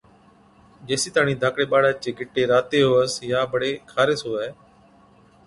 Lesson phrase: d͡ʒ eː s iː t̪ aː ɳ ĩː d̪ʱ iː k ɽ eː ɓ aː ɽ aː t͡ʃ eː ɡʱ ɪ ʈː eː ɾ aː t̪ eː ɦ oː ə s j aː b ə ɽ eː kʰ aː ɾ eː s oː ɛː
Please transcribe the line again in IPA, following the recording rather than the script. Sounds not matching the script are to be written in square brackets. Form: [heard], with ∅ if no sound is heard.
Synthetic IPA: d͡ʒ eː s iː t̪ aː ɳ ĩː d̪ʱ [aː] k ɽ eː ɓ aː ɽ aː t͡ʃ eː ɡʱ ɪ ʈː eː ɾ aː t̪ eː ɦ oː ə s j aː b ə ɽ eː kʰ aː ɾ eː s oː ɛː